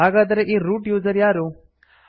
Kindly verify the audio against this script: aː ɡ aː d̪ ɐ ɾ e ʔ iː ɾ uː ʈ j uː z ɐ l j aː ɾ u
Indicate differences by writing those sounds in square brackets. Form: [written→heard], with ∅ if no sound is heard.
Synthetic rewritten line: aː ɡ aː d̪ ɐ ɾ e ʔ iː ɾ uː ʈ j uː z ɐ [l→ɾ] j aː ɾ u